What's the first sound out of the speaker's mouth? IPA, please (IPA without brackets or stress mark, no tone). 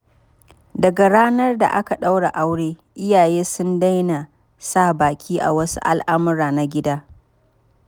d